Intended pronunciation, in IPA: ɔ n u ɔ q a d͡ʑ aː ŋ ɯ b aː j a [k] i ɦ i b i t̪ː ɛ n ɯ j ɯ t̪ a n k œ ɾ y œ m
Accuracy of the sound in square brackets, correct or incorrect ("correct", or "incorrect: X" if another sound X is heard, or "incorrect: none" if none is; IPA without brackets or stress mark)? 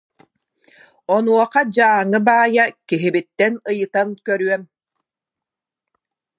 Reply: correct